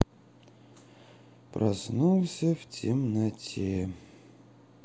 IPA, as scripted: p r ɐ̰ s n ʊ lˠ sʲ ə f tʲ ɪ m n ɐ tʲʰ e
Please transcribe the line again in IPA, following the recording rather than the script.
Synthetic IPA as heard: p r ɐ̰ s n u lˠ sʲ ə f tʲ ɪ m n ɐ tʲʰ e